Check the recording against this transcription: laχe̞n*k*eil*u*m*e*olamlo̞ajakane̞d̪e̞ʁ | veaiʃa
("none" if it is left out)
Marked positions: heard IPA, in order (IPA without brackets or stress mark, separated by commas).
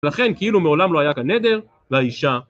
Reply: k, u, e